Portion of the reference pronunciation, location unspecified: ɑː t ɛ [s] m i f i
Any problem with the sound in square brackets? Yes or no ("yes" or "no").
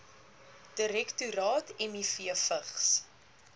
yes